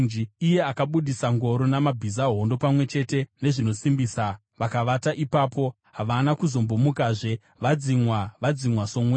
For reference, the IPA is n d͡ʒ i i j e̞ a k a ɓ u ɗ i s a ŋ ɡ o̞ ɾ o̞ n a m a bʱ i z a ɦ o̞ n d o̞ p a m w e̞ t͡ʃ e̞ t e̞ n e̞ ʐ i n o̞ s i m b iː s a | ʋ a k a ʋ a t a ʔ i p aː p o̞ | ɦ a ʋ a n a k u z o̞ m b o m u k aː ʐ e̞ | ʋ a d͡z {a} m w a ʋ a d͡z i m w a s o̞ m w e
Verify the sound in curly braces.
incorrect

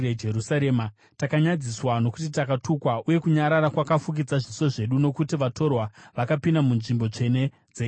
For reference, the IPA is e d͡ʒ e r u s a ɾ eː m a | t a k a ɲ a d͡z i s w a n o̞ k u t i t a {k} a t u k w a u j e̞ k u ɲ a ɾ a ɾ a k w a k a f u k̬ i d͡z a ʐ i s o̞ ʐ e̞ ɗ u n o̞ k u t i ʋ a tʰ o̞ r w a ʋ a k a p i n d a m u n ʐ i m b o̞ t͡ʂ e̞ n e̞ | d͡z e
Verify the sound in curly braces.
correct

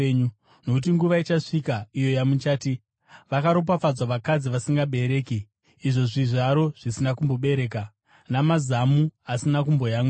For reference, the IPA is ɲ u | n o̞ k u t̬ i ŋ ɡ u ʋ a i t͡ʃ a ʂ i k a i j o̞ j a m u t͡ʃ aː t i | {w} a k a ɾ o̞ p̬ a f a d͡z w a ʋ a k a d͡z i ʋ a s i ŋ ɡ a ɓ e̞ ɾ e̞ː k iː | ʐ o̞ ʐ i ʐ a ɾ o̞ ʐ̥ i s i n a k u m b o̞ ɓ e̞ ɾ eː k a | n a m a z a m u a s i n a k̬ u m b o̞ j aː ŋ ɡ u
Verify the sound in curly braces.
incorrect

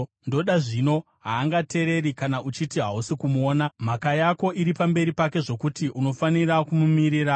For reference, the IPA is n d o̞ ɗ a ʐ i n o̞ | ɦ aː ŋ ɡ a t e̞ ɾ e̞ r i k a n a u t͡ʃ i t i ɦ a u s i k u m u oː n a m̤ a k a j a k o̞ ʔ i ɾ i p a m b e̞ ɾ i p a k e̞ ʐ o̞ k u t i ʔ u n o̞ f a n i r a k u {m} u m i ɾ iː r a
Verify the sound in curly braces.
correct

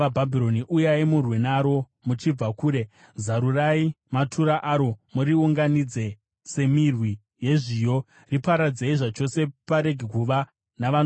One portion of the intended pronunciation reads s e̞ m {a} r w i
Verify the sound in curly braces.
incorrect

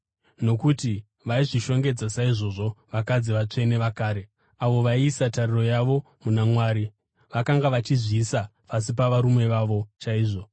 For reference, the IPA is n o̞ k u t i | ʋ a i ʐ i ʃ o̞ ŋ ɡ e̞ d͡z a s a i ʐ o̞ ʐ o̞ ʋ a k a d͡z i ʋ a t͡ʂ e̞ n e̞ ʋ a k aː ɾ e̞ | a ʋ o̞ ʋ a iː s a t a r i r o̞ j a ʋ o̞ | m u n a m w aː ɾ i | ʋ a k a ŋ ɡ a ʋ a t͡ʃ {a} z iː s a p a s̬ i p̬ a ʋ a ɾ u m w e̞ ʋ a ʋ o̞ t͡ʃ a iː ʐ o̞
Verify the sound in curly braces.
incorrect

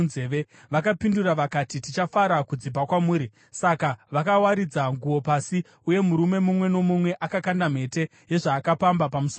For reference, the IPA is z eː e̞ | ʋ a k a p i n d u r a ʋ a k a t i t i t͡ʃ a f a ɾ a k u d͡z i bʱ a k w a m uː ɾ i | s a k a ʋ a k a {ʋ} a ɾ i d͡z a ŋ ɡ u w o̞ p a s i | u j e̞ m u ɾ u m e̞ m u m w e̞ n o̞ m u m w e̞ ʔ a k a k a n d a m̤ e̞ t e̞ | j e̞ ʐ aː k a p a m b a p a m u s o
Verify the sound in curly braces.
incorrect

